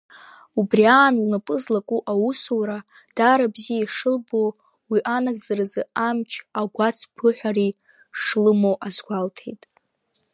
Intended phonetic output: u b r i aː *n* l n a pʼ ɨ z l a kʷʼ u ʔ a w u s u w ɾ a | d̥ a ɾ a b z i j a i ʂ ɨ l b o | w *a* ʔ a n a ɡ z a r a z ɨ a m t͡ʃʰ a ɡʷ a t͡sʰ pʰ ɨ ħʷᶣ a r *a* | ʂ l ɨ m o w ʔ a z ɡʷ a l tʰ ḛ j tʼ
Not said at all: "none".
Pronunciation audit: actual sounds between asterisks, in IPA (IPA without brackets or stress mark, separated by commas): n, i, i